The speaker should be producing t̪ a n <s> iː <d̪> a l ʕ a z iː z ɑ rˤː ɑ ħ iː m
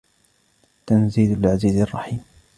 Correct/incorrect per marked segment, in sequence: incorrect: z, correct

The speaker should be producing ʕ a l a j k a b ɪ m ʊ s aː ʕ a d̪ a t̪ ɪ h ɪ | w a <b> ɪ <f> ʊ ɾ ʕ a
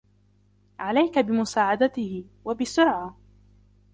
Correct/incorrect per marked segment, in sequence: correct, incorrect: s

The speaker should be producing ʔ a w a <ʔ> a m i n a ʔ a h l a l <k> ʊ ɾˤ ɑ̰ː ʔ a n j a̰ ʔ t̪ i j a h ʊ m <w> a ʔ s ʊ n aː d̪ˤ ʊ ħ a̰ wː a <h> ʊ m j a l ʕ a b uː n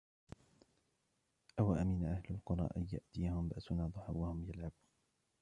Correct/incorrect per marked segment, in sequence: correct, incorrect: q, incorrect: b, correct

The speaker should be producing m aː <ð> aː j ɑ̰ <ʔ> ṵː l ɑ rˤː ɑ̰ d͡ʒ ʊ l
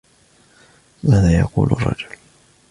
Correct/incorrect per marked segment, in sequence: correct, incorrect: q

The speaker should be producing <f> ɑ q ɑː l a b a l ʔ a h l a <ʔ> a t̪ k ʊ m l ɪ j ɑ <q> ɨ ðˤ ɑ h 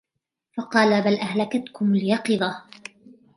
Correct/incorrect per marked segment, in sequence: correct, incorrect: k, correct

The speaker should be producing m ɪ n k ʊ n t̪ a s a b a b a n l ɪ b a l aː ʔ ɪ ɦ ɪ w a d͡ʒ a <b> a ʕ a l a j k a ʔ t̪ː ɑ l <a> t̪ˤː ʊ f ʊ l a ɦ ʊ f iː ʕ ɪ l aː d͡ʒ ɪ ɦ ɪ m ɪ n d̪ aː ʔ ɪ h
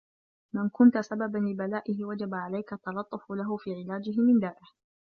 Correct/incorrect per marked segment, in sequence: correct, incorrect: ɑ

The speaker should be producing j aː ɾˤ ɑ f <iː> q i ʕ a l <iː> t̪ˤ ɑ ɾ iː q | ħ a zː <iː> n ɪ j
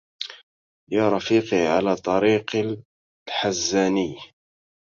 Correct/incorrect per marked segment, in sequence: correct, incorrect: aː, incorrect: aː

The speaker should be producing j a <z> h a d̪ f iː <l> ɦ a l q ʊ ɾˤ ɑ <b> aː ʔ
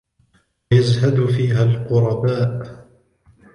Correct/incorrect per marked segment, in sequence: correct, incorrect: none, correct

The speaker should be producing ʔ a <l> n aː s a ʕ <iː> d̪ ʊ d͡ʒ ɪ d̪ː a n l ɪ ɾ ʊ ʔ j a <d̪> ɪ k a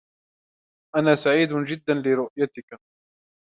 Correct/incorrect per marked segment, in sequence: incorrect: none, correct, incorrect: t̪

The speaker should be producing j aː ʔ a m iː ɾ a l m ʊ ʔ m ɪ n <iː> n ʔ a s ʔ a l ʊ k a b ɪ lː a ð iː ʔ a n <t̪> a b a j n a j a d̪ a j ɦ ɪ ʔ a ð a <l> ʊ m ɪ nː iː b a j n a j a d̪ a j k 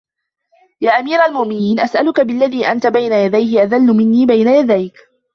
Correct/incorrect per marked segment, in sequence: correct, correct, incorrect: lː

